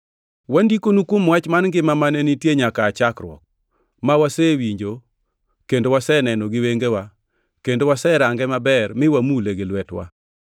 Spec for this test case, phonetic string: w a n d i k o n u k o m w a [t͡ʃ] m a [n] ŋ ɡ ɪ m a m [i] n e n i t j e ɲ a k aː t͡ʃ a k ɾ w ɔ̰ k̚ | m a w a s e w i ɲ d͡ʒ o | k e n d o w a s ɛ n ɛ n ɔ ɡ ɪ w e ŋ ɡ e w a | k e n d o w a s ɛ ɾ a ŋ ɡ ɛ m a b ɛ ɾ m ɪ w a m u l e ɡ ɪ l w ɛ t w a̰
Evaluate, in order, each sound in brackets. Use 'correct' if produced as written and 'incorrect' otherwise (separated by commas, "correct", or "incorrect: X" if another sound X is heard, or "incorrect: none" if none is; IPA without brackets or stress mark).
correct, correct, incorrect: a